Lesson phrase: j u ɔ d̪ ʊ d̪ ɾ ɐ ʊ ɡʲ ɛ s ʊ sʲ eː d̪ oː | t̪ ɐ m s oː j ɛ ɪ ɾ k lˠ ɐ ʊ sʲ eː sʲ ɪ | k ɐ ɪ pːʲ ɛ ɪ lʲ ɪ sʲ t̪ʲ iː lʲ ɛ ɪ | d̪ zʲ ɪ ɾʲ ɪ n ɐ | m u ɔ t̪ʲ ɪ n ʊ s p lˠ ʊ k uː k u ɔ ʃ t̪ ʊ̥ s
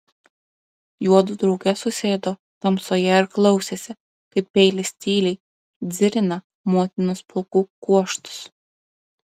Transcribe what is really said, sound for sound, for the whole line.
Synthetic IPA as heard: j u ɔ d̪ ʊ d̪ ɾ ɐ ʊ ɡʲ ɛ s ʊ sʲ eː d̪ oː | t̪ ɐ m s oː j ɛ ɪ ɾ k lˠ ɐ ʊ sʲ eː sʲ ɪ | k ɐ ɪ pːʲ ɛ ɪ lʲ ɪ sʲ t̪ʲ iː lʲ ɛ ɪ | d̪ zʲ ɪ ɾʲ ɪ n ɐ | m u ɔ t̪ʲ ɪ n ʊ s p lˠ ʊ k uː k u ɔ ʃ t̪ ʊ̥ s

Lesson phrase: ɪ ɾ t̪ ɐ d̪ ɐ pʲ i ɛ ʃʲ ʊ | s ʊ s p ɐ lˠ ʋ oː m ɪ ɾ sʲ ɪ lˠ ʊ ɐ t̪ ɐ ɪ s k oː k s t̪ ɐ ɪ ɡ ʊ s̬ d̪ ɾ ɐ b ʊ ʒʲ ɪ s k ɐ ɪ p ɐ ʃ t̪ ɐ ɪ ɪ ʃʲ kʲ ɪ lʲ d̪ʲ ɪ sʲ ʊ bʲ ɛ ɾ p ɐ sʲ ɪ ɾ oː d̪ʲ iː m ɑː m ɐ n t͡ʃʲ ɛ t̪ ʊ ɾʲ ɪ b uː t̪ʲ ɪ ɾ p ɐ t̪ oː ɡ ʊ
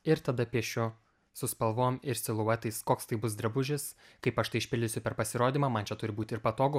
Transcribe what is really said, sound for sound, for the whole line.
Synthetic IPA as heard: ɪ ɾ t̪ ɐ d̪ ɐ pʲ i ɛ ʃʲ ʊ | s ʊ s p ɐ lˠ ʋ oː m ɪ ɾ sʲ ɪ lˠ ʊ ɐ t̪ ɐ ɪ s k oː k s t̪ ɐ ɪ b ʊ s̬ d̪ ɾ ɐ b ʊ ʒʲ ɪ s k ɐ ɪ p ɐ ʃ t̪ ɐ ɪ ɪ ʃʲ pʲ ɪ lʲ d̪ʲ ɪ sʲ ʊ pʲ ɛ ɾ p ɐ sʲ ɪ ɾ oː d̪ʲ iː m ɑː m ɐ n t͡ʃʲ ɛ t̪ ʊ ɾʲ ɪ b uː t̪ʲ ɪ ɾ p ɐ t̪ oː ɡ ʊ

